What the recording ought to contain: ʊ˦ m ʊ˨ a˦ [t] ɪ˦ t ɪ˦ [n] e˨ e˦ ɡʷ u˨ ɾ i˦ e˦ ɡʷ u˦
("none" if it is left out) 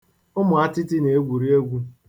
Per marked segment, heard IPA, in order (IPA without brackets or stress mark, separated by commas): t, n